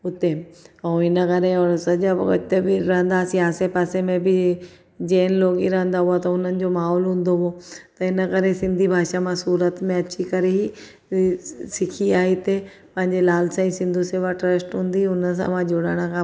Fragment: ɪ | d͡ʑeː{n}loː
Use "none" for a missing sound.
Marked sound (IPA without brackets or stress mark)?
n